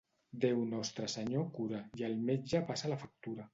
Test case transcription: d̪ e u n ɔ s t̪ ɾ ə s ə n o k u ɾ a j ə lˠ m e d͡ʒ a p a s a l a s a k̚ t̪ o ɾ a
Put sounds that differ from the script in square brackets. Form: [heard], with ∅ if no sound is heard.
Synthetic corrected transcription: d̪ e [w] n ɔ s t̪ ɾ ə s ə [ɲ] o k u ɾ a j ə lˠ m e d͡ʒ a p a s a l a [f] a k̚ t̪ [u] ɾ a